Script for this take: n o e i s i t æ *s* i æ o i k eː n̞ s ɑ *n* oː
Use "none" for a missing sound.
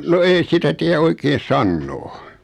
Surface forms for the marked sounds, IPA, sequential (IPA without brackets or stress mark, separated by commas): t, nː